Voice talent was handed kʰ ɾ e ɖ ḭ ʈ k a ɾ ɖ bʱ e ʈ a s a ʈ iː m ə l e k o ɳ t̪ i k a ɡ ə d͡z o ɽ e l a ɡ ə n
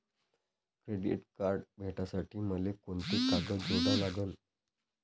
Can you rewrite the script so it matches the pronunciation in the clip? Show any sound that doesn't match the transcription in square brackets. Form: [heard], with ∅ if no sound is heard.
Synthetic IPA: [k] ɾ e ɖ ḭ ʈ k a ɾ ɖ bʱ e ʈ a s a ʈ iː m ə l e k o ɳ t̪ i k a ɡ ə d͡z o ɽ [a] l a ɡ ə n